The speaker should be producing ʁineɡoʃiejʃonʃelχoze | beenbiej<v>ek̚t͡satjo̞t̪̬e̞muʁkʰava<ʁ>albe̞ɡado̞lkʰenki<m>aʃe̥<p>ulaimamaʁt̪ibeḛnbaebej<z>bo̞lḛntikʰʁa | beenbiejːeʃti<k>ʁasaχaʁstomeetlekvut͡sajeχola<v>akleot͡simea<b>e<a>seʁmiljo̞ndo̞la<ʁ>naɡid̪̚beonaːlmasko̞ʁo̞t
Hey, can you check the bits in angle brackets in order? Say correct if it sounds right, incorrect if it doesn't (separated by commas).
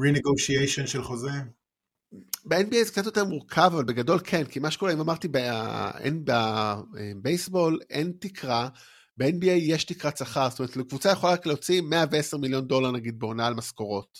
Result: incorrect, incorrect, correct, incorrect, incorrect, correct, incorrect, incorrect, incorrect, correct